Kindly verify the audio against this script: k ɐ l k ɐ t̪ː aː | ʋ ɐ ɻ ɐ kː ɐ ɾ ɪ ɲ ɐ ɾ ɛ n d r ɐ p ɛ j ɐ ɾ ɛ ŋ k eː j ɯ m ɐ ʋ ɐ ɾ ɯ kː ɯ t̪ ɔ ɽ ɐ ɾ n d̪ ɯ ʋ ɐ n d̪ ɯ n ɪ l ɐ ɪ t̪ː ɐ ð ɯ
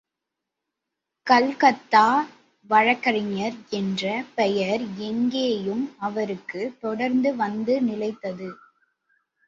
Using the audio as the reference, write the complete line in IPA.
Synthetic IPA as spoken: k ɐ l k ɐ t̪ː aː | ʋ ɐ ɻ ɐ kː ɐ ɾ ɪ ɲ ɐ ɾ ɛ n d r ɐ p ɛ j ɐ ɾ ɛ ŋ ɡ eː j ɯ m ɐ ʋ ɐ ɾ ɯ kː ɯ t̪ ɔ ɽ ɐ ɾ n d̪ ɯ ʋ ɐ n d̪ ɯ n ɪ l ɐ ɪ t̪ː ɐ ð ɯ